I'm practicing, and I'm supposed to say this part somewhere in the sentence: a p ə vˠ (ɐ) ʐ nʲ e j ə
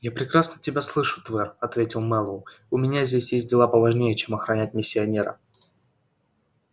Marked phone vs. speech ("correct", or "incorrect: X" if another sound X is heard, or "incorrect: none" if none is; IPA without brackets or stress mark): correct